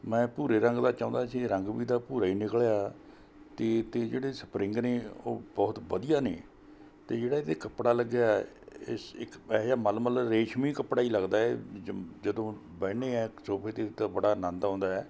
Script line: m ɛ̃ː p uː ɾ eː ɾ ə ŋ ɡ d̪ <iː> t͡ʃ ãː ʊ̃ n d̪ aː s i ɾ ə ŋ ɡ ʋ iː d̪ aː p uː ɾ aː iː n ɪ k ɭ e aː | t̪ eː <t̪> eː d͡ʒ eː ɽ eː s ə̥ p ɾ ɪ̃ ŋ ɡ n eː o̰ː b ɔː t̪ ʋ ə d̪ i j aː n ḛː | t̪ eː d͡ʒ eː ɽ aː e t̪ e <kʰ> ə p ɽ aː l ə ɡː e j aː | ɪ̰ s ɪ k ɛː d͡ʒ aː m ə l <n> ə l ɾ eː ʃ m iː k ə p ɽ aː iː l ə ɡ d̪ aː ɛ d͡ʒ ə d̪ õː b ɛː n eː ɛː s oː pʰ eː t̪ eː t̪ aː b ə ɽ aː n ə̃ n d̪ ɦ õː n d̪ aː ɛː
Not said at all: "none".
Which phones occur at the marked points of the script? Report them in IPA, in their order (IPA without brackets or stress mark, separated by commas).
aː, t̪, k, m